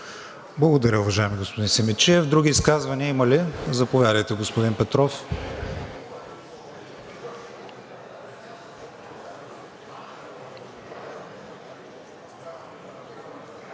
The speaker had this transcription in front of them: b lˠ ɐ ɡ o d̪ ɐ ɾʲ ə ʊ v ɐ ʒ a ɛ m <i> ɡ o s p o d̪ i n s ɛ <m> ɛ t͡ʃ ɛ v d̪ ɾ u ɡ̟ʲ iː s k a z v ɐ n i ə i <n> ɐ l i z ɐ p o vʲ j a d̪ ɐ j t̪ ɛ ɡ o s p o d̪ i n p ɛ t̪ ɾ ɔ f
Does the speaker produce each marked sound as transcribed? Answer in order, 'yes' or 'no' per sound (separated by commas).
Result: yes, yes, no